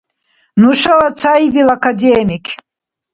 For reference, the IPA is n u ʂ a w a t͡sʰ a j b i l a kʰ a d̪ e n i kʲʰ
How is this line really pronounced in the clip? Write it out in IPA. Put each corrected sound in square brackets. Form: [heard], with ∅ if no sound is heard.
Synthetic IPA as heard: n u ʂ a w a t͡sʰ a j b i l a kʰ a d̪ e [m] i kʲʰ